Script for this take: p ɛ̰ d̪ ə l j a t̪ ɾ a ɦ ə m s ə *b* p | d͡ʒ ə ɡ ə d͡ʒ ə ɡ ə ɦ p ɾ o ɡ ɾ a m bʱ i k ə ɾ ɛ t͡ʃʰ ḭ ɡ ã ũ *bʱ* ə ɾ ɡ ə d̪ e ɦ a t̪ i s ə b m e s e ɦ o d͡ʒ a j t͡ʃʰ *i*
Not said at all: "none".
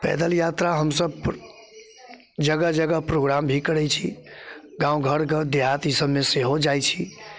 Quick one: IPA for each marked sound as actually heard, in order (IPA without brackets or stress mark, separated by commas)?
b, ɡʱ, i